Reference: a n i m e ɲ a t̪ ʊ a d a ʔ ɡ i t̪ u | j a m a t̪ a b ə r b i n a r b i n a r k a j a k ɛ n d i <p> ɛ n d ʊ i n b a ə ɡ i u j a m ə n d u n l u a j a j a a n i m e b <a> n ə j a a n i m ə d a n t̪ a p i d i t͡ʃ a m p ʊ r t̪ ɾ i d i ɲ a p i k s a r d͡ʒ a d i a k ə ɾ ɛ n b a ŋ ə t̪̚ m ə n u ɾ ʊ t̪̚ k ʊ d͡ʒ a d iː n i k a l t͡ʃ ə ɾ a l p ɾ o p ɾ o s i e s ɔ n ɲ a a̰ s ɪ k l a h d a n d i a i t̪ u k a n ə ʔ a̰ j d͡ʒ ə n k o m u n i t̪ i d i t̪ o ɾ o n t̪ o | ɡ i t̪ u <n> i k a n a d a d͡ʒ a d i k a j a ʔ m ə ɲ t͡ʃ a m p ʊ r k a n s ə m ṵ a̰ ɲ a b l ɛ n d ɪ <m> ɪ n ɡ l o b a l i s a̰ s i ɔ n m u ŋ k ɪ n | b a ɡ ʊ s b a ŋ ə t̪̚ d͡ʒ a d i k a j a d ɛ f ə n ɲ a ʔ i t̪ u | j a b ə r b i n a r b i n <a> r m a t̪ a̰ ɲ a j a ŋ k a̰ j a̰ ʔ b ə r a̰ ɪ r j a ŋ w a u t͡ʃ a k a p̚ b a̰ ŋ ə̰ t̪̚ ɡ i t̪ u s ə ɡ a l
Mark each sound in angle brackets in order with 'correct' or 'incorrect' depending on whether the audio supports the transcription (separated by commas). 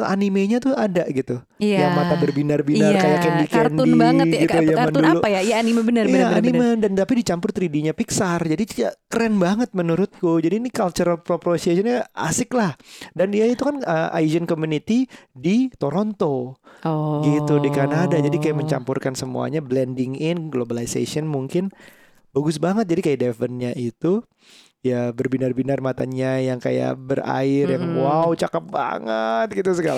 incorrect, incorrect, incorrect, incorrect, correct